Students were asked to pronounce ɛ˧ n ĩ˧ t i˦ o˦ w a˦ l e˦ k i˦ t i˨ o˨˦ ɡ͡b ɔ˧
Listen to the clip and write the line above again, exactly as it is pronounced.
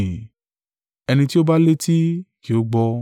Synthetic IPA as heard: ɛ˧ n ĩ˧ t i˦ o˦ b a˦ l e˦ t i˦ k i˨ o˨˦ ɡ͡b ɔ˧